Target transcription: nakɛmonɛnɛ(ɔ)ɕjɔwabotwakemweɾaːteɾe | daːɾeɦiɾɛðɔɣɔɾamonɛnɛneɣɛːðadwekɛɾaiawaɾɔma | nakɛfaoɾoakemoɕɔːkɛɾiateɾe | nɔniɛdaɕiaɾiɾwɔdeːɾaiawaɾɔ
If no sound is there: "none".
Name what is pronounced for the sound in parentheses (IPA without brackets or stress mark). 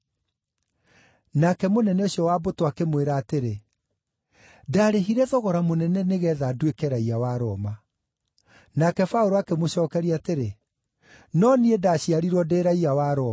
o